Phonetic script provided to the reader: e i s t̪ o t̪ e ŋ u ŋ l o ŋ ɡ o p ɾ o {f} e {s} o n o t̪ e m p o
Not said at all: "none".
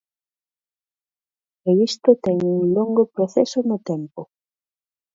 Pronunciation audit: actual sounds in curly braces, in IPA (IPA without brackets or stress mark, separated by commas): θ, s